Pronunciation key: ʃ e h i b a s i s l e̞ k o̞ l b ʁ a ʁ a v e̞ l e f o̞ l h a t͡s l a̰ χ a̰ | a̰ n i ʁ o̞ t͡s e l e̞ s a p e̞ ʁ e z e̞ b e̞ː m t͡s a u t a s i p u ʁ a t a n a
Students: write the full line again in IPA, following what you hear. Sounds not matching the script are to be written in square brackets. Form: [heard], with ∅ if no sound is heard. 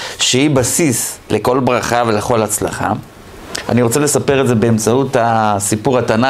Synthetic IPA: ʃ e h i b a s i s l e̞ k o̞ l b ʁ a [χ] a v e̞ l e [χ] o̞ l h a t͡s l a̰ χ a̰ | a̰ n i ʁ o̞ t͡s e l e̞ s a p e̞ ʁ e z e̞ b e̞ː m t͡s a u t a s i p u ʁ a t a n a